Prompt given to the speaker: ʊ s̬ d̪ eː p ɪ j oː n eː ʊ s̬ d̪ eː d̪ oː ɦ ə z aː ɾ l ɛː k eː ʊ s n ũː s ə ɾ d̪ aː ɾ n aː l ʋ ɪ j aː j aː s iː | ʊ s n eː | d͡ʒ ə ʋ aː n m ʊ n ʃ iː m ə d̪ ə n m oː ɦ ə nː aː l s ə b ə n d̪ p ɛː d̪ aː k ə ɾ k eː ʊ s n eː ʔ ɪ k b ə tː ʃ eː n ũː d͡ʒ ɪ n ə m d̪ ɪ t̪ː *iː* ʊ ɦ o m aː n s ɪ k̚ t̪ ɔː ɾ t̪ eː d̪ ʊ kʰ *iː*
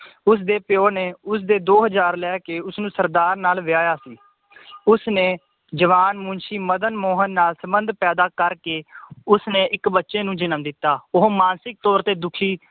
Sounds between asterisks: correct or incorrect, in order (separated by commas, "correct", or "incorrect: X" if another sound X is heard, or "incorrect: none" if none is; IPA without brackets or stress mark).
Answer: incorrect: aː, correct